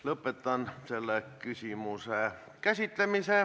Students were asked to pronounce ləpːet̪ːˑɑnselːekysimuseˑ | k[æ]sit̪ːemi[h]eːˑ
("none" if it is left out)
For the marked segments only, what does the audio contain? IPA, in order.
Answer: æ, s

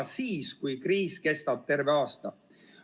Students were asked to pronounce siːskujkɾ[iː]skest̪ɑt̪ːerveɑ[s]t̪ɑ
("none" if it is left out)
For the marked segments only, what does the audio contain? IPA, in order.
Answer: iː, s

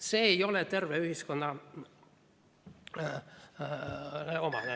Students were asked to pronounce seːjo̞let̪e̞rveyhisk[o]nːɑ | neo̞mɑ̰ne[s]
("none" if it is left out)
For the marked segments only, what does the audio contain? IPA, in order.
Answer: o, none

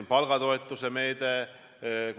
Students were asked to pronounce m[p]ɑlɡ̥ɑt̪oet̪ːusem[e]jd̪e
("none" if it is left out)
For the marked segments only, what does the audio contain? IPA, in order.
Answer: p, e

